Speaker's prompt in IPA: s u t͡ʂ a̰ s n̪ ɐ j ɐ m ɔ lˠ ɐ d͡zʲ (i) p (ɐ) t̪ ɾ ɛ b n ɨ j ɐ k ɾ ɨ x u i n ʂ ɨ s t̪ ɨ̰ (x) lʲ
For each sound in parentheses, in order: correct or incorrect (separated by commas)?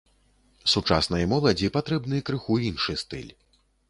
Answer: correct, incorrect, incorrect